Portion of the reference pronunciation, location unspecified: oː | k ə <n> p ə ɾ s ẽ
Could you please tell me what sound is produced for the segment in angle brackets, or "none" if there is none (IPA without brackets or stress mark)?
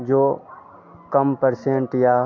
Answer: m